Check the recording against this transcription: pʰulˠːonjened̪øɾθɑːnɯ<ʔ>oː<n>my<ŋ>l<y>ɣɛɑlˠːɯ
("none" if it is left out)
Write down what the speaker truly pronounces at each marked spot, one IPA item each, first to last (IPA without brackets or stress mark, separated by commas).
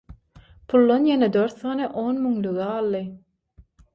ʔ, n, ŋ, y